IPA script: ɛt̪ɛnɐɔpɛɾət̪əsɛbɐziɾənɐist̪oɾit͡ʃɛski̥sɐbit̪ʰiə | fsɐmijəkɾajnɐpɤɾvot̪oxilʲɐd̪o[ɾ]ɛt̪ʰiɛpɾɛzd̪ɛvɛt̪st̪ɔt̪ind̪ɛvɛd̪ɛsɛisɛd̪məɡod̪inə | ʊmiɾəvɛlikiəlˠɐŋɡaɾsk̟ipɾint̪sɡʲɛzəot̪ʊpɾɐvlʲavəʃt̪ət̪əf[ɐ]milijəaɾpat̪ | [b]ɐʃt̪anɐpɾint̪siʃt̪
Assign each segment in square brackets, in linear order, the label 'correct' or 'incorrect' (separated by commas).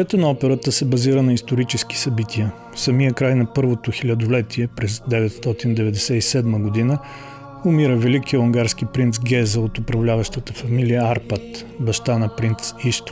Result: incorrect, correct, correct